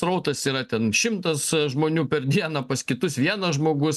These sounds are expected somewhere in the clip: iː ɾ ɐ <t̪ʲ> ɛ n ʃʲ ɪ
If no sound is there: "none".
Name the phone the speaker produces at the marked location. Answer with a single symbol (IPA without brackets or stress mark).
t̪ʲ